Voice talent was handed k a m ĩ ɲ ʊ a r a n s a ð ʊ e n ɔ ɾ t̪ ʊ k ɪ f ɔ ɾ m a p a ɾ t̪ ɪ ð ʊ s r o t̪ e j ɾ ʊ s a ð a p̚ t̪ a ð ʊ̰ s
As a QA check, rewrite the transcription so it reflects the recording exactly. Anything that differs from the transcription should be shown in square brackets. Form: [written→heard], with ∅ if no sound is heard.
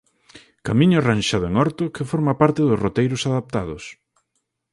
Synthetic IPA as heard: k a m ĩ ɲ ʊ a r a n [s→ʃ] a ð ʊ e [n→ŋ] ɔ ɾ t̪ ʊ k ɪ f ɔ ɾ m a p a ɾ t̪ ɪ ð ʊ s r o t̪ e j ɾ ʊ s a ð a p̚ t̪ a ð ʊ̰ s